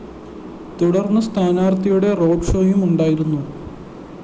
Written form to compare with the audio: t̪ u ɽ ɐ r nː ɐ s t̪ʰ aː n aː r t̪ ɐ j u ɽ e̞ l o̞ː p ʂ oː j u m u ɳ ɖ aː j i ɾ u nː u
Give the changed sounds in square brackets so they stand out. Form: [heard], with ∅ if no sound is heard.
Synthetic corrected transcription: t̪ u ɽ ɐ r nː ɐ s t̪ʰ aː n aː r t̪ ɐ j u ɽ e̞ [r] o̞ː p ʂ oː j u m u ɳ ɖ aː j i ɾ u nː u